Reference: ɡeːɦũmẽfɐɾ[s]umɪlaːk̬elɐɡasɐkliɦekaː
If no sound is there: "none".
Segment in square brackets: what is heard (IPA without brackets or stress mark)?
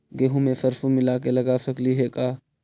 f